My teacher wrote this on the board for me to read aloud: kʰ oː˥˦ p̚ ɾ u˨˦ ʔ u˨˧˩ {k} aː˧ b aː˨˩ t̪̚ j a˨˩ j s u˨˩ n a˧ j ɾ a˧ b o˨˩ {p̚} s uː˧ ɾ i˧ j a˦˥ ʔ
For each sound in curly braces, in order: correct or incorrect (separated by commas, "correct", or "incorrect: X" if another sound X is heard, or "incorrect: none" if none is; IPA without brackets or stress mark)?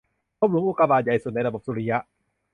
correct, correct